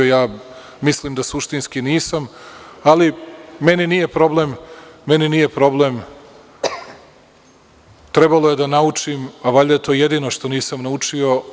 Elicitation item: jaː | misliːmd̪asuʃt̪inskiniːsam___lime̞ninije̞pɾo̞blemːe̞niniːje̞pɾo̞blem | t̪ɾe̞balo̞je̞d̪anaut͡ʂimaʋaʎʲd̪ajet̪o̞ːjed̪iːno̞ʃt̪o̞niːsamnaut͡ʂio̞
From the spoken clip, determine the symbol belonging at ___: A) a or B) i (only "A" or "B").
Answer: A